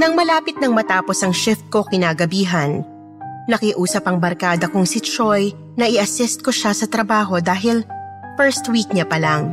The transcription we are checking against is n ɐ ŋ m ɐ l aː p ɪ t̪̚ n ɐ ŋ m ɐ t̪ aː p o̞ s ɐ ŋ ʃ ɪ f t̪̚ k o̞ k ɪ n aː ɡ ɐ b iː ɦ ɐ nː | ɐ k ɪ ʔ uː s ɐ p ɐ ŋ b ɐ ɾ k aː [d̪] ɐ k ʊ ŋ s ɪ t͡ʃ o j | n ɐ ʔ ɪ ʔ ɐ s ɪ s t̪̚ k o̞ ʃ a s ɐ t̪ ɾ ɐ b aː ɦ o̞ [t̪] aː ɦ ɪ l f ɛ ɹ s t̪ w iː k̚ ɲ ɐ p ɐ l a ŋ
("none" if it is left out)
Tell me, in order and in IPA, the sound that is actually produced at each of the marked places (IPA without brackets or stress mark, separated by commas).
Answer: d̪, d̪